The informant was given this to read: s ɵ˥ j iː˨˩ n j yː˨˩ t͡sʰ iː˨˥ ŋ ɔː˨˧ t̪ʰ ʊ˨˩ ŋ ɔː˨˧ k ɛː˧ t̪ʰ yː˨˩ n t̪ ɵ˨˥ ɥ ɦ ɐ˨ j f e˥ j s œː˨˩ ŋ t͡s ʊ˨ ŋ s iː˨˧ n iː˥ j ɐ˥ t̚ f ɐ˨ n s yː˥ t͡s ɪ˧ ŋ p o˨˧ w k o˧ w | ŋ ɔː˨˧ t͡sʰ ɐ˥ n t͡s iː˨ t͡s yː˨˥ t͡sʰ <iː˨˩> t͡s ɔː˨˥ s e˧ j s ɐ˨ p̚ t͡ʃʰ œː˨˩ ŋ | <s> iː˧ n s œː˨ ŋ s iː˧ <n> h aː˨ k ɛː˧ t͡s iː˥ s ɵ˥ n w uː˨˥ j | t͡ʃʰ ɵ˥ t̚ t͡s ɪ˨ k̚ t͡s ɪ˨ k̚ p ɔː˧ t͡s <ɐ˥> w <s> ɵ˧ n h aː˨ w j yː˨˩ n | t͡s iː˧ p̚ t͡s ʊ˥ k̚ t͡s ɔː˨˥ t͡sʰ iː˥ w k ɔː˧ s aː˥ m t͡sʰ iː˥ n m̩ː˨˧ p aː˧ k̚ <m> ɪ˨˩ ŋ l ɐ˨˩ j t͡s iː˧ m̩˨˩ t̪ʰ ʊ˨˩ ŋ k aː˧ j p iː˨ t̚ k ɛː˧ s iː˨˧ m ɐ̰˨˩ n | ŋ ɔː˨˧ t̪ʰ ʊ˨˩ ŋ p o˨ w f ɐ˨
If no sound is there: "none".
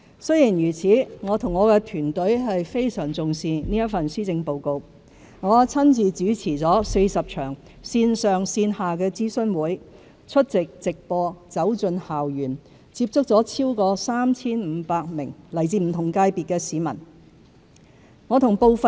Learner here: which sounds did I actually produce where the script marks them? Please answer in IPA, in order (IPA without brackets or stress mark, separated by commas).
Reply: iː˨˩, s, n, ɐ˨˥, t͡s, m